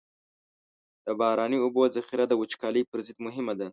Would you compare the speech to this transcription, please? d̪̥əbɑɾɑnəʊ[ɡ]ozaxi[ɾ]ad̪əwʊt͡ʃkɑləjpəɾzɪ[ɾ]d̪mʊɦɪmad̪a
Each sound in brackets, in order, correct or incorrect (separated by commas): incorrect, correct, incorrect